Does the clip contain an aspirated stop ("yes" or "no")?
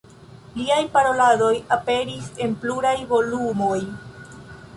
no